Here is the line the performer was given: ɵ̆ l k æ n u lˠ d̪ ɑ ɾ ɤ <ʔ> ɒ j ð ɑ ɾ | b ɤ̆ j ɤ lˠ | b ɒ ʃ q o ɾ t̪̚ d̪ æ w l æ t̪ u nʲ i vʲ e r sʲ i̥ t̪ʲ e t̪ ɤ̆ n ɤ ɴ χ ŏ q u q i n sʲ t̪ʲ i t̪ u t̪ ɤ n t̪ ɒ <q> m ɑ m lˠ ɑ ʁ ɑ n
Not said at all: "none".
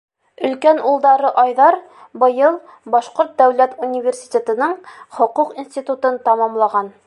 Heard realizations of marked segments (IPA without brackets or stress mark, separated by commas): ʔ, none